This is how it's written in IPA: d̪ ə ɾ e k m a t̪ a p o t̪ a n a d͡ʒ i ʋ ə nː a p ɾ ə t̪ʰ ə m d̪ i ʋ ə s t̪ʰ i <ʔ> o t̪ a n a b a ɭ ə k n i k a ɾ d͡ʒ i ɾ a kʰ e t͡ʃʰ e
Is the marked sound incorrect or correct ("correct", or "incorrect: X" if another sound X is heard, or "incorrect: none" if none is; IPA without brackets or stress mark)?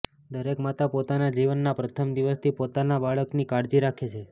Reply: incorrect: p